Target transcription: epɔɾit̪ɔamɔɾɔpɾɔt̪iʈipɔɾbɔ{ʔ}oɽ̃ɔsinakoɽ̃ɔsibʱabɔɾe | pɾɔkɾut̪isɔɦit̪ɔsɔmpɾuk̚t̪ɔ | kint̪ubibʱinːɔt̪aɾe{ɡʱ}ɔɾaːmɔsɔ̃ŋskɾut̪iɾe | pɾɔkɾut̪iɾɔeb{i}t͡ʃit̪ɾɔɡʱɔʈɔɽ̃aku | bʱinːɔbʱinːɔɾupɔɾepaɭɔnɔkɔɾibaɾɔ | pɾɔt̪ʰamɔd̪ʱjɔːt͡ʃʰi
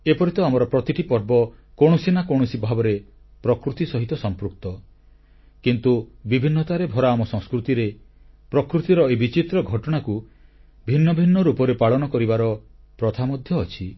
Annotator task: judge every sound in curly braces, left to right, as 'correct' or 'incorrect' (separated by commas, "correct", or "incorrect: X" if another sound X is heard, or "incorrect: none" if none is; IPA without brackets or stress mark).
incorrect: k, incorrect: bʱ, correct